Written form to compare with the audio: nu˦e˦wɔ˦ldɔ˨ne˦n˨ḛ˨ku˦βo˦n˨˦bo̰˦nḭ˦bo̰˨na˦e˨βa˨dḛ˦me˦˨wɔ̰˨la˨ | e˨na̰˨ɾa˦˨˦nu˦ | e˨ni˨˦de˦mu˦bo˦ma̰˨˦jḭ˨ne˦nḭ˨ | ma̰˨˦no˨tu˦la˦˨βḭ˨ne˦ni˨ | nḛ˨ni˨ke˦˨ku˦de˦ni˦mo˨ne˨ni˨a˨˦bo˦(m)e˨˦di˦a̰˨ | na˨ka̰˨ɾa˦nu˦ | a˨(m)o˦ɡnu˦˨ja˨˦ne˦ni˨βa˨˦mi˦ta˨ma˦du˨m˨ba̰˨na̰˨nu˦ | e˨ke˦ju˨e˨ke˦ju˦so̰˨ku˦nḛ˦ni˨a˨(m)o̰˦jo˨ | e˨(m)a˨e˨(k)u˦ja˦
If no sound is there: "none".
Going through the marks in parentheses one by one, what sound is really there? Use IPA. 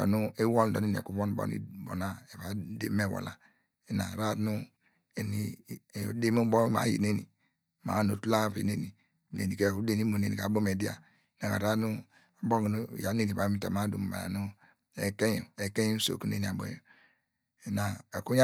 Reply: m, b, b, n, k

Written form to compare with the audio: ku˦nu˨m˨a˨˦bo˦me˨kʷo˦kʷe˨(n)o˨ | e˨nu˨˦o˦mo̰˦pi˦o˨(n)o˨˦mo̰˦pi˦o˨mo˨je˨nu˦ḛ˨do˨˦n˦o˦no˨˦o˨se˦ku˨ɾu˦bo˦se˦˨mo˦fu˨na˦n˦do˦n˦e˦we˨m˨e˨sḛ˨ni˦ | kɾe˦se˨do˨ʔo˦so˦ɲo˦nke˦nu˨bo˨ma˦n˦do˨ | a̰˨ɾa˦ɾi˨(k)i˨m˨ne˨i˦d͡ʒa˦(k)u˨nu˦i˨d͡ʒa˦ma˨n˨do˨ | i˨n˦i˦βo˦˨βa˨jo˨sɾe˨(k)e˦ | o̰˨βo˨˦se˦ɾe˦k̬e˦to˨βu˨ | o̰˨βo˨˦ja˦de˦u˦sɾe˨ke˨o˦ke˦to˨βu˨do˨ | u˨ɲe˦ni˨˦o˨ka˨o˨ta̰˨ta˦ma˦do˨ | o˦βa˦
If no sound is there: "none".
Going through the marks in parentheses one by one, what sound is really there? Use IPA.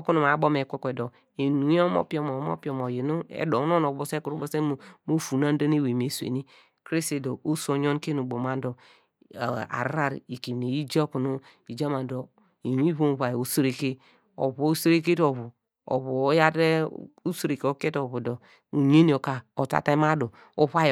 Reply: d, m, k, k, k

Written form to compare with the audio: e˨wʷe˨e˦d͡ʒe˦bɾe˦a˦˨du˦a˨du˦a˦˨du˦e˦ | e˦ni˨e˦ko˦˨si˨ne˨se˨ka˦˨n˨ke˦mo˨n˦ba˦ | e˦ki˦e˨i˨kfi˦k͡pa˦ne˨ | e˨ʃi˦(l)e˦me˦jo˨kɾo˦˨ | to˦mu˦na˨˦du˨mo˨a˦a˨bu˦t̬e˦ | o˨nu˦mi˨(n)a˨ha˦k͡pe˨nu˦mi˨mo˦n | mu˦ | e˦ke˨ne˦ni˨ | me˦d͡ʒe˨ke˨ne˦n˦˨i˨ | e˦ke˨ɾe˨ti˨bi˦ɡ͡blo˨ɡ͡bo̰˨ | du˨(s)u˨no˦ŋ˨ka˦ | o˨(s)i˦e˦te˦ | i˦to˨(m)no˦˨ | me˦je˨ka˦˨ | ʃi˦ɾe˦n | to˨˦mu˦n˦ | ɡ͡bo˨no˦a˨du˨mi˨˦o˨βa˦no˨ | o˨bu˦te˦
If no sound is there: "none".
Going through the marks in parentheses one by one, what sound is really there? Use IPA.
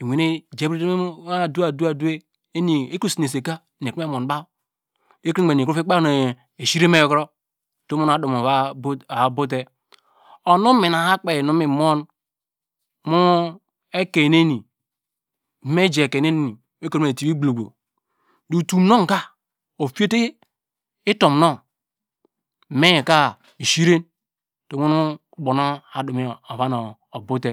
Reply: ɾ, n, t, f, m

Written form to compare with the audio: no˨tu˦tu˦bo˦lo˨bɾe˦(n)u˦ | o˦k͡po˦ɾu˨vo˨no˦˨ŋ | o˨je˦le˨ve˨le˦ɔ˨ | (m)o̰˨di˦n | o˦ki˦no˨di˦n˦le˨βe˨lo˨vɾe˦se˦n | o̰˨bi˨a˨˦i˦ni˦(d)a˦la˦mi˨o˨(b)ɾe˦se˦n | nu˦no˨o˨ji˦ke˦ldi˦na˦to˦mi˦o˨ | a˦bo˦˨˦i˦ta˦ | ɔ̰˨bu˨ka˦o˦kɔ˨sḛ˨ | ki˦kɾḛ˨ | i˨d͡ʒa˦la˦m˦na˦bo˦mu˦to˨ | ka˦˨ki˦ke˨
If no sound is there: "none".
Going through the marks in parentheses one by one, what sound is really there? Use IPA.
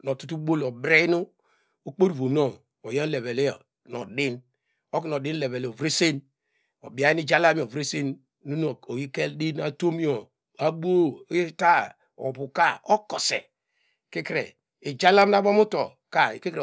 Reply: n, n, d͡ʒ, v

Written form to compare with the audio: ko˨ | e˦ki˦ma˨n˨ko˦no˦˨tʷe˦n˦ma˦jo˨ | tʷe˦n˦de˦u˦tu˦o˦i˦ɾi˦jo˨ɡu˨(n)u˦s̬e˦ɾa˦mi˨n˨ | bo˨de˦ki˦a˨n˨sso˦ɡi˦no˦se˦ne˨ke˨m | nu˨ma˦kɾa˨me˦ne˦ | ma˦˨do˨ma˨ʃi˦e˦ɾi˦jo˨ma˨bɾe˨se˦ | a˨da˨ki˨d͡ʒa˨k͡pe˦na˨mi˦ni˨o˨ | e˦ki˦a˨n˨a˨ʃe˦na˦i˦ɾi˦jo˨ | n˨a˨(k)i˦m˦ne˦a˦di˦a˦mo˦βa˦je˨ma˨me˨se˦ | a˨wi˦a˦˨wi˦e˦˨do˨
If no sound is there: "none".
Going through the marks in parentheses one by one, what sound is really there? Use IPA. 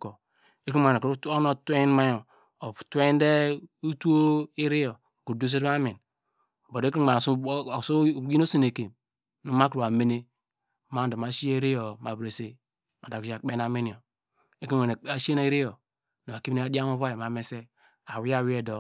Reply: d, k

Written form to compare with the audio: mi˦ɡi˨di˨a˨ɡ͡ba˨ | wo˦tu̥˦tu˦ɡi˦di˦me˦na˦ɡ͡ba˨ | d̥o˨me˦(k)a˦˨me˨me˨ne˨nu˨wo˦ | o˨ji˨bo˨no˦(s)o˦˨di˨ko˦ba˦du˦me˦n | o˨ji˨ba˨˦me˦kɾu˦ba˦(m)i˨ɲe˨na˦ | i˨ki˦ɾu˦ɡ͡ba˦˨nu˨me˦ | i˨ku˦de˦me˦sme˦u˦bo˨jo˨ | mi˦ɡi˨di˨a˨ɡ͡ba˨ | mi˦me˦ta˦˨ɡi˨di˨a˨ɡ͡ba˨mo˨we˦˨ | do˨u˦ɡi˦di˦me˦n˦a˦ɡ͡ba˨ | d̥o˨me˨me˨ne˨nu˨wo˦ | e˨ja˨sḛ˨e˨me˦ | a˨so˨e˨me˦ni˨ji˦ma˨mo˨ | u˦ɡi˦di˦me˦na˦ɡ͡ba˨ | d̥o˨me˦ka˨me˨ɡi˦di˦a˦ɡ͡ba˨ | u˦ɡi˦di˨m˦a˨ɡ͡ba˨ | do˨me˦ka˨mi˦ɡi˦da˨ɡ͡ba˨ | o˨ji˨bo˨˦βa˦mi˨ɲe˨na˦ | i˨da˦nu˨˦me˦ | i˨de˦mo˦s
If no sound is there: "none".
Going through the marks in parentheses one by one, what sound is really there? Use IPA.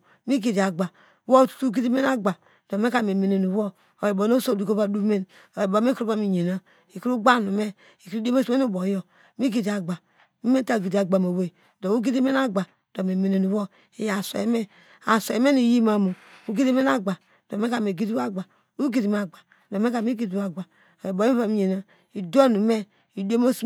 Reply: k, s, m

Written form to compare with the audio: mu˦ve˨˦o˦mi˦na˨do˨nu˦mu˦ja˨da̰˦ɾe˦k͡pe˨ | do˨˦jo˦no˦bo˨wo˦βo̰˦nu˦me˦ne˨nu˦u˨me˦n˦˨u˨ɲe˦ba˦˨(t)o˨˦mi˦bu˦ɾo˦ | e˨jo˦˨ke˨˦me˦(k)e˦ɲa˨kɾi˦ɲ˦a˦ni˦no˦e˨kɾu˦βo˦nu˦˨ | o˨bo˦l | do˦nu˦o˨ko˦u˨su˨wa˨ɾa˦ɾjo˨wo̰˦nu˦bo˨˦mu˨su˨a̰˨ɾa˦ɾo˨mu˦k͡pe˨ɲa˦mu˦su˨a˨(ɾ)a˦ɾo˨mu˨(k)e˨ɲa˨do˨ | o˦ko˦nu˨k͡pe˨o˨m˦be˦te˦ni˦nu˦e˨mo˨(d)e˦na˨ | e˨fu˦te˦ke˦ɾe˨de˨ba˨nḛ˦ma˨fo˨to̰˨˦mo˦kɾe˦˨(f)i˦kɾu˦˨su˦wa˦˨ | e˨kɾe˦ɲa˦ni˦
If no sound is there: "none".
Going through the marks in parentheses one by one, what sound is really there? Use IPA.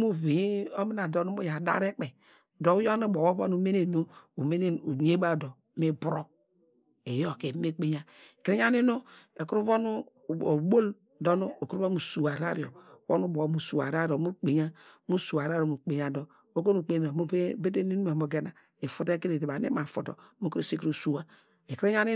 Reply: d, k͡p, ɾ, k͡p, ɡ, s

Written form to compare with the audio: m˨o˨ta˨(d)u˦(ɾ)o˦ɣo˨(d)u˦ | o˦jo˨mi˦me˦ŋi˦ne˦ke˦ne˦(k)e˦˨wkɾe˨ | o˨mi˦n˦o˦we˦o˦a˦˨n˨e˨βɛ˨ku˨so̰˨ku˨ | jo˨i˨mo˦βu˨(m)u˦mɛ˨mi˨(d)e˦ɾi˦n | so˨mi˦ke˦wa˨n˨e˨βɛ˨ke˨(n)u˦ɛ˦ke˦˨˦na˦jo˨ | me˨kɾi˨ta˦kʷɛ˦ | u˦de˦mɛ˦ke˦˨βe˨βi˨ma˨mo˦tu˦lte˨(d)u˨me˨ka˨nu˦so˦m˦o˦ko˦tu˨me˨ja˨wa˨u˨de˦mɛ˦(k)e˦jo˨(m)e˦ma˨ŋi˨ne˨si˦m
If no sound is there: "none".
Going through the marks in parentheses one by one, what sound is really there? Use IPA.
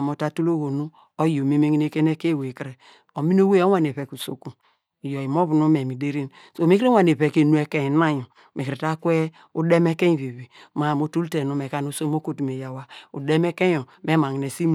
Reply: t, l, n, k, n, d, n, n, k, m

